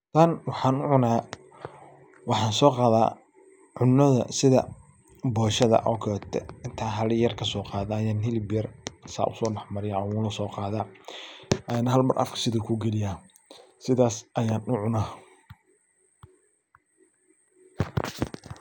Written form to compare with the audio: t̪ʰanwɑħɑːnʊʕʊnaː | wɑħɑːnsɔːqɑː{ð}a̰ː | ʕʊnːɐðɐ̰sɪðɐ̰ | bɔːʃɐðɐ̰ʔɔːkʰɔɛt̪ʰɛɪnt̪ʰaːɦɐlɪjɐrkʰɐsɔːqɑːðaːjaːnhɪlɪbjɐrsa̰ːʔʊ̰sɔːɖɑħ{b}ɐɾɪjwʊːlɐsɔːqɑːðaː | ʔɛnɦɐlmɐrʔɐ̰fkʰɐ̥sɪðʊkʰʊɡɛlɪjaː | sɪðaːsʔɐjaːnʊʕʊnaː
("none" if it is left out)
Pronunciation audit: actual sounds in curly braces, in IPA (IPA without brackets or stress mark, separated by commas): ð, m